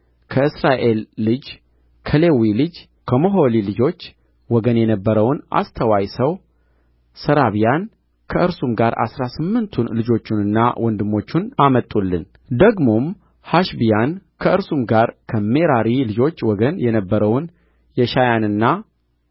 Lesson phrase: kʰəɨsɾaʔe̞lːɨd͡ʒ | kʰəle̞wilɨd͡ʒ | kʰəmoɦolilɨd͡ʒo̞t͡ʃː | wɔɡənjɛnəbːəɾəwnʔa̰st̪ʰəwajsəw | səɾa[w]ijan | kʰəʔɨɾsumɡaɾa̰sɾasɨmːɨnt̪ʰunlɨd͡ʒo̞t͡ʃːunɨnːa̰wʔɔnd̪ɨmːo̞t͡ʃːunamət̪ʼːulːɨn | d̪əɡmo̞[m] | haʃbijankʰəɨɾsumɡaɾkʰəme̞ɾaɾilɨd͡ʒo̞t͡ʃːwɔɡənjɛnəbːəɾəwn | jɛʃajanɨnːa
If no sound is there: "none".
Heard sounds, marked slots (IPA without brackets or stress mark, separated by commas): β, m